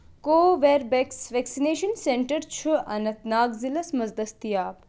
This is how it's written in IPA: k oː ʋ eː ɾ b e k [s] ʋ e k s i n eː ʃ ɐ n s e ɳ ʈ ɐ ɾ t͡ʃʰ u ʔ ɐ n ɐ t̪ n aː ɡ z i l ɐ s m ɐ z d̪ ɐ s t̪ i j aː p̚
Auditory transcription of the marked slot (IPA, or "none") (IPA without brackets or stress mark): s